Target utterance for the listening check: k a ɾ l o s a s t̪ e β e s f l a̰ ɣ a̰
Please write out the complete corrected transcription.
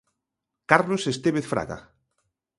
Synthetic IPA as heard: k a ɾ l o s e s t̪ e β e θ f ɾ a̰ ɣ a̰